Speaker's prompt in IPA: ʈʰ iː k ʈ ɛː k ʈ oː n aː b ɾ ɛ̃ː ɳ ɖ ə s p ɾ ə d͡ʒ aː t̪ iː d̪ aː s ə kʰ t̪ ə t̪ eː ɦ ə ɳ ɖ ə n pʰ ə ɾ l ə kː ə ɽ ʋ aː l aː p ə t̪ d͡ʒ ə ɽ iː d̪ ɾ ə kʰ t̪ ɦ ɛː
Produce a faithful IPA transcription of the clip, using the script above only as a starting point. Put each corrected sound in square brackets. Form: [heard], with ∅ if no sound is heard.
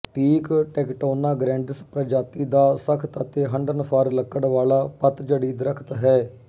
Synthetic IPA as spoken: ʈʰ iː k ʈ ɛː k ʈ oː n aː [ɡ] ɾ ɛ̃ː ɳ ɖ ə s p ɾ ə d͡ʒ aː t̪ iː d̪ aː s ə kʰ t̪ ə t̪ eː ɦ ə ɳ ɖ ə n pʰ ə ɾ l ə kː ə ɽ ʋ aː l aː p ə t̪ d͡ʒ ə ɽ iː d̪ ɾ ə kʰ t̪ ɦ ɛː